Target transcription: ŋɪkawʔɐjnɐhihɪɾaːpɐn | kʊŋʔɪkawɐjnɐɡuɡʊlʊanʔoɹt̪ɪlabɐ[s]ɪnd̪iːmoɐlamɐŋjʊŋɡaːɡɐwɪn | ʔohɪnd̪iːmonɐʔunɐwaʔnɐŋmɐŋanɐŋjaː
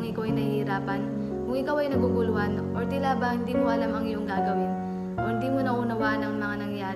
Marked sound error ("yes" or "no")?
yes